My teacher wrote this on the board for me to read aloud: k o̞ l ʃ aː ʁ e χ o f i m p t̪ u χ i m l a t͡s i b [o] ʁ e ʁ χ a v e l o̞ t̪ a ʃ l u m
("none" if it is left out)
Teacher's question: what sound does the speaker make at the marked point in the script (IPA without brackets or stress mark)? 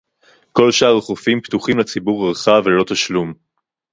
u